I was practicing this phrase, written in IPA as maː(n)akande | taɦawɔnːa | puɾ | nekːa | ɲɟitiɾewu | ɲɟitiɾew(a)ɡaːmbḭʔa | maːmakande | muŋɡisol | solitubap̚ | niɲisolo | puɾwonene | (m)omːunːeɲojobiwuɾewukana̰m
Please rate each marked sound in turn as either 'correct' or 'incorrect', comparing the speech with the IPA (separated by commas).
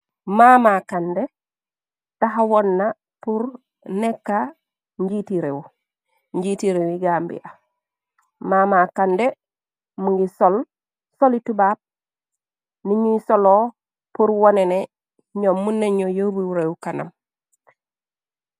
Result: incorrect, incorrect, incorrect